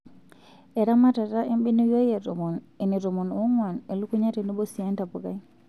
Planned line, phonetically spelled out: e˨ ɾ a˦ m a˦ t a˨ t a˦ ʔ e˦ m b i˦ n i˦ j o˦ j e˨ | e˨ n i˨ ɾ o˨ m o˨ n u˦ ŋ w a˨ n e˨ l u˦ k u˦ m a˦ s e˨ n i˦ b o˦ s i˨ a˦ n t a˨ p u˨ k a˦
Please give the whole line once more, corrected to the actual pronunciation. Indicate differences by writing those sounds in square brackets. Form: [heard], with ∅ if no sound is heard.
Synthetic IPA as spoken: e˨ ɾ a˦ m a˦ t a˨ t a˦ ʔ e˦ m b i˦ n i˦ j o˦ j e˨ | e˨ n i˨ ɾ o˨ m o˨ n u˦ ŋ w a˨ n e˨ l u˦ k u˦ [ɲ] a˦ [t] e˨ n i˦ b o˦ s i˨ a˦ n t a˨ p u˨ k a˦